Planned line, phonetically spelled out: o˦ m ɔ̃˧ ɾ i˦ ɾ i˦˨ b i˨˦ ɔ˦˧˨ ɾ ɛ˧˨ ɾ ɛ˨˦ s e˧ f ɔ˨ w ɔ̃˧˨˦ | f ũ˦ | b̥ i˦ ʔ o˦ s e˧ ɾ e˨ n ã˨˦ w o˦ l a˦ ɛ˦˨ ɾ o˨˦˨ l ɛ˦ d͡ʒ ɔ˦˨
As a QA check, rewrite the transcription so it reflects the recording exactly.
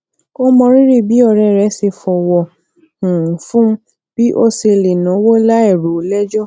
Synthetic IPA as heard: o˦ m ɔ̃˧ ɾ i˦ ɾ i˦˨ b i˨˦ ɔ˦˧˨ ɾ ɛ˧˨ ɾ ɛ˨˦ s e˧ f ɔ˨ w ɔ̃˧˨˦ | f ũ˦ | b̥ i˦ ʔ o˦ s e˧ l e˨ n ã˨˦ w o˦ l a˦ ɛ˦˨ ɾ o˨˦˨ l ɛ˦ d͡ʒ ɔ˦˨